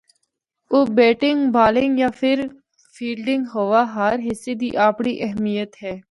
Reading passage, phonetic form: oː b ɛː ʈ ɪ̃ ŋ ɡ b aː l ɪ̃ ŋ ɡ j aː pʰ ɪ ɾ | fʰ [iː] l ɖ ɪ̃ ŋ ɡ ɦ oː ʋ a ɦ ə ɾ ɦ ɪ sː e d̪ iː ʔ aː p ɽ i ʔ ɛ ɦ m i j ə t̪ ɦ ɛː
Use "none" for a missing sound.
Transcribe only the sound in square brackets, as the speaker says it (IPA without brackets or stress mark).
iː